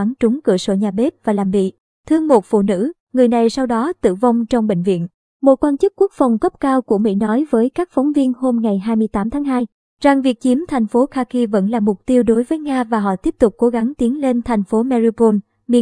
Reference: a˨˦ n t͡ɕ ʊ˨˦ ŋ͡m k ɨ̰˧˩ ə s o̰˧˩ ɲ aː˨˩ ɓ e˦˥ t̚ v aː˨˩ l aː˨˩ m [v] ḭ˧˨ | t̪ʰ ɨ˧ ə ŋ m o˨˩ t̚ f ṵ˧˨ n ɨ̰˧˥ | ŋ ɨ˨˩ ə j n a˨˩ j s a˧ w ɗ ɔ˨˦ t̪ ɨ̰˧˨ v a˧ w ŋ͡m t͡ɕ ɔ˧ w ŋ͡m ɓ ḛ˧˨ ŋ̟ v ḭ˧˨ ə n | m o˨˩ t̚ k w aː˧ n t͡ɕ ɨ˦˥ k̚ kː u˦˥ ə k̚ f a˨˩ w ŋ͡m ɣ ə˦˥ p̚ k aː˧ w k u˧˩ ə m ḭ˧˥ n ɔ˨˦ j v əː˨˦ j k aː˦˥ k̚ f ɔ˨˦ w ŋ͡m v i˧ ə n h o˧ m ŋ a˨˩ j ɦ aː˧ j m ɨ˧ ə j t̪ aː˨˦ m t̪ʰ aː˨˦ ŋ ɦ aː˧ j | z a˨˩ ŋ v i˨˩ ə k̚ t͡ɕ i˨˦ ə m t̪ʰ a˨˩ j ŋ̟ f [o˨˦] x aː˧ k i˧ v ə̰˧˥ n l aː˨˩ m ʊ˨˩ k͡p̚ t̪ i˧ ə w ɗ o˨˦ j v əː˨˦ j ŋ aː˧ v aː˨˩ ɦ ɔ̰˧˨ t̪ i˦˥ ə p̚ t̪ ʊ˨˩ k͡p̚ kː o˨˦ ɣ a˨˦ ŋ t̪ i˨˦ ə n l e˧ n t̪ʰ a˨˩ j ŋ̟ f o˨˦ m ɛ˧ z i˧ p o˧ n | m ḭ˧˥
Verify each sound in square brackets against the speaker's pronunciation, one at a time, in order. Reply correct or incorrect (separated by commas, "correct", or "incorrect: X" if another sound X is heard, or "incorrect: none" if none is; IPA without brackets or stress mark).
correct, correct